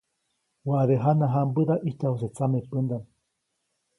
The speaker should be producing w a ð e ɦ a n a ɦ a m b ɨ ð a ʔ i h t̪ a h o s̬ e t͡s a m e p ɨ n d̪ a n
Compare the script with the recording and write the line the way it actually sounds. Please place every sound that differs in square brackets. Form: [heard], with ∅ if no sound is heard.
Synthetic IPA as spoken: w a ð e ɦ a n a ɦ a m b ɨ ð a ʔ i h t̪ a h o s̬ e t͡s a m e p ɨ n d̪ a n